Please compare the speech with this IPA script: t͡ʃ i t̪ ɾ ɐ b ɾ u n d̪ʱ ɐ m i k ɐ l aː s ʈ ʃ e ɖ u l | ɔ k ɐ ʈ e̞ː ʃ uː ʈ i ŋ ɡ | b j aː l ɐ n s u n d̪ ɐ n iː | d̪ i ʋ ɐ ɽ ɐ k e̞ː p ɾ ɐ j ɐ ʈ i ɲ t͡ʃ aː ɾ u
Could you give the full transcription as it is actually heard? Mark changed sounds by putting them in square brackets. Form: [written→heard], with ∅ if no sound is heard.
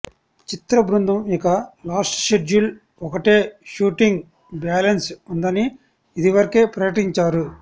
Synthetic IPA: t͡ʃ i t̪ ɾ ɐ b ɾ u n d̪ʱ ɐ m i k ɐ l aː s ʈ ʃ e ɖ u l | ɔ k ɐ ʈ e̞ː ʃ uː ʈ i ŋ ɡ | b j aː l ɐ n s u n d̪ ɐ n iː | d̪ i ʋ ɐ [ɽ→ɾ] ɐ k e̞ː p ɾ ɐ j ɐ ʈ i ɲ t͡ʃ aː ɾ u